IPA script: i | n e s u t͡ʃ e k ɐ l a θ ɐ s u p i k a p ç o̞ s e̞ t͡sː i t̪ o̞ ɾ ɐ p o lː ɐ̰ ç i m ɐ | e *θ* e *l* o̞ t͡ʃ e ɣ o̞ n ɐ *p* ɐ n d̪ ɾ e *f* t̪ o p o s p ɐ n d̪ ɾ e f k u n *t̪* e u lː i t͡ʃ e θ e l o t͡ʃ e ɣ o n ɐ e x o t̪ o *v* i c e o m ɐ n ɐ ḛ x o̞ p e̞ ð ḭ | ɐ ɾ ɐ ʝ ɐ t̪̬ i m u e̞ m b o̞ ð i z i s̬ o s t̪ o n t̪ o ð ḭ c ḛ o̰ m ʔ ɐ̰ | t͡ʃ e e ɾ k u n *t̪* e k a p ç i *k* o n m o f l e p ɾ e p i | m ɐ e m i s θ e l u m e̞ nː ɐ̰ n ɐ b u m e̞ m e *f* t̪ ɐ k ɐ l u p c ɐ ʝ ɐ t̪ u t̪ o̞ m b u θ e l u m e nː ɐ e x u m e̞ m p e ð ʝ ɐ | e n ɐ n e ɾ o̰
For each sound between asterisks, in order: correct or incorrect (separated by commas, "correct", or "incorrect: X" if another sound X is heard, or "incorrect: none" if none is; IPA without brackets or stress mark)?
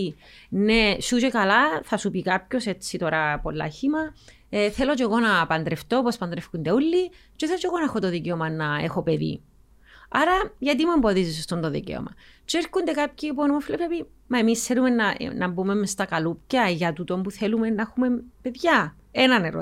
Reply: correct, correct, correct, correct, incorrect: d̪, incorrect: ð, incorrect: d̪, incorrect: p, incorrect: s